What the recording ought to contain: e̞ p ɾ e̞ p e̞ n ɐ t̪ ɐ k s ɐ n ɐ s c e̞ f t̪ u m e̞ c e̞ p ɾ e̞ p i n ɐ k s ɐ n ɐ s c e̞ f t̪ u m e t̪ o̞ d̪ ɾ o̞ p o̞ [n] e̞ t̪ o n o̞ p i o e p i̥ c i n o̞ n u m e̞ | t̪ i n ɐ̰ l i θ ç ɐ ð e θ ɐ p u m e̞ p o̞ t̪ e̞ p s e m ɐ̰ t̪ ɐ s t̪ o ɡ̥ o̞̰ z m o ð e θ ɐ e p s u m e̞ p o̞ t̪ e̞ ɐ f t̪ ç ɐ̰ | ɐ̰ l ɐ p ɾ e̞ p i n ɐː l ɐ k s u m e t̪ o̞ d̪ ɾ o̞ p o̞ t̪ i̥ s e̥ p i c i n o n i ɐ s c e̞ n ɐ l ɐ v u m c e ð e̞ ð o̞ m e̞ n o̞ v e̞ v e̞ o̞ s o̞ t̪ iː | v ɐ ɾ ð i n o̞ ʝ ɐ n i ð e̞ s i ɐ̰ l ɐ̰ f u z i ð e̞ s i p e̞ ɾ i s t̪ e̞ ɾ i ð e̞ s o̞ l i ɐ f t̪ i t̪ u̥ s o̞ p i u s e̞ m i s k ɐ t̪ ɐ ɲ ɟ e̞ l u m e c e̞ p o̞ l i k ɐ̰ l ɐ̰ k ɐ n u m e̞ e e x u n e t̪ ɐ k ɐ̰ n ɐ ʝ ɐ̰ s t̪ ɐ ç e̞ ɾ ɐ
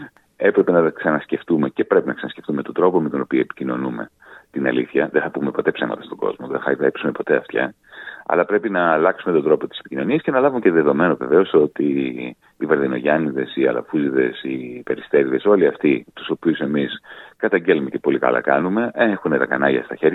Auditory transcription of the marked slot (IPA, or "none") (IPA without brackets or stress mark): m